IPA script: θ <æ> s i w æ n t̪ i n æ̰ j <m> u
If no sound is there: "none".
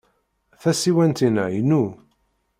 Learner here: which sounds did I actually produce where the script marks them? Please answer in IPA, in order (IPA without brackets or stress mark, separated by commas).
æ, n